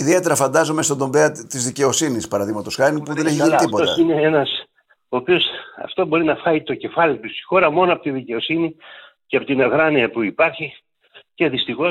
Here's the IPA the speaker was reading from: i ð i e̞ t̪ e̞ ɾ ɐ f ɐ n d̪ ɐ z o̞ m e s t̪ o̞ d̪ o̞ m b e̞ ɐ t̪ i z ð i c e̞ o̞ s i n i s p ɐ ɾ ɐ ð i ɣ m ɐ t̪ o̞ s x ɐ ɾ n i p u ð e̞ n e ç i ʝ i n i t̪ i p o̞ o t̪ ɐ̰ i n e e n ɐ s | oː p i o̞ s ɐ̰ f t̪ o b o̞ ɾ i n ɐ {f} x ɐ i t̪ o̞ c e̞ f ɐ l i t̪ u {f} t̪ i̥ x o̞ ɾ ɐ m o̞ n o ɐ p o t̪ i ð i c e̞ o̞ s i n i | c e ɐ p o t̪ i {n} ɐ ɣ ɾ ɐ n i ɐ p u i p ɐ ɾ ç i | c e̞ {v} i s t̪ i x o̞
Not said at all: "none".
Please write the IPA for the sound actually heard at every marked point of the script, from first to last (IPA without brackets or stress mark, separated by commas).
f, s, n, ð